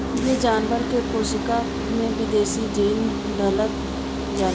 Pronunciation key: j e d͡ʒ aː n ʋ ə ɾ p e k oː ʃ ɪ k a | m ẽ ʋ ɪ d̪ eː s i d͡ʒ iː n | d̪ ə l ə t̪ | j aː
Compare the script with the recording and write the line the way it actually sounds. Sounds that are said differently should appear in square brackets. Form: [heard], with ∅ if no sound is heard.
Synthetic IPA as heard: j e d͡ʒ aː n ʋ ə ɾ [k] e k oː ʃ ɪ k a | m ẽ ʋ ɪ d̪ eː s i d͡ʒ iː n | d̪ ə l ə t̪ | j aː